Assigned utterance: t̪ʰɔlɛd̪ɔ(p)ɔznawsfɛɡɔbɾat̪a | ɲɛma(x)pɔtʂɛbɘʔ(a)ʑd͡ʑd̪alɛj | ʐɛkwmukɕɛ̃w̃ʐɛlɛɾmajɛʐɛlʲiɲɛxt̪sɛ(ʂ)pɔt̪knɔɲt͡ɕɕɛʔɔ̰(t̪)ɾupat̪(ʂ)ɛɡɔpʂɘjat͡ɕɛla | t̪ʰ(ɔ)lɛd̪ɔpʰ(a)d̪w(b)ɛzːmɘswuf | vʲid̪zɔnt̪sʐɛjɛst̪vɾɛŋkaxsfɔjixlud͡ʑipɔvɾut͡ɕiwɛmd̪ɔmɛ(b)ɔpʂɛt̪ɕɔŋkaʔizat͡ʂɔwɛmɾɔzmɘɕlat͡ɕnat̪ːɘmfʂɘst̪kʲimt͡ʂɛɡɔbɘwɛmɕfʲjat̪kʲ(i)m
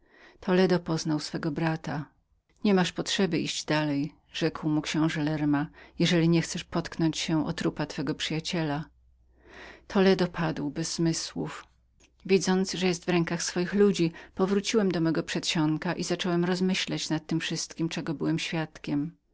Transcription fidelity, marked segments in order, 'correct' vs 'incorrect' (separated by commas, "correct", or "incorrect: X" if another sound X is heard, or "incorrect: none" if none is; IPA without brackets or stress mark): correct, incorrect: ʂ, incorrect: i, correct, correct, incorrect: f, correct, correct, correct, incorrect: ɡ, incorrect: ɛ